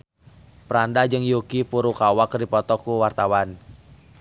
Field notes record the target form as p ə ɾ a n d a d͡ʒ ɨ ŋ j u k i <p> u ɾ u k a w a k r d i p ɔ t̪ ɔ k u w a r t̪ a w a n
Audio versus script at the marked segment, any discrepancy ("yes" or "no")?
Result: no